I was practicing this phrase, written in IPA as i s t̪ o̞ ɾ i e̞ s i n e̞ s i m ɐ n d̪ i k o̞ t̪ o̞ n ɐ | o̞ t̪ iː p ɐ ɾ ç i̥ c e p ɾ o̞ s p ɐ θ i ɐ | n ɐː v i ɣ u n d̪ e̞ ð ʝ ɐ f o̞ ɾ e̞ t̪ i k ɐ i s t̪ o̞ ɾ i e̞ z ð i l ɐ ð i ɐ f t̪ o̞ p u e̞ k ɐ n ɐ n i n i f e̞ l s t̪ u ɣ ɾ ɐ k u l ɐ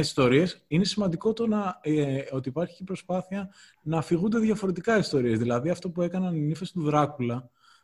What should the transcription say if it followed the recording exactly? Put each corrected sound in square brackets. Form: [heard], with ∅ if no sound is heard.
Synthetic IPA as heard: i s t̪ o̞ ɾ i e̞ s i n e̞ s i m ɐ n d̪ i k o̞ t̪ o̞ n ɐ | o̞ t̪ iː p ɐ ɾ ç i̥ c e p ɾ o̞ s p ɐ θ i ɐ | n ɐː [f] i ɣ u n d̪ e̞ ð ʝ ɐ f o̞ ɾ e̞ t̪ i k ɐ i s t̪ o̞ ɾ i e̞ z ð i l ɐ ð i ɐ f t̪ o̞ p u e̞ k ɐ n ɐ n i n i f e̞ [∅] s t̪ u [ð] ɾ ɐ k u l ɐ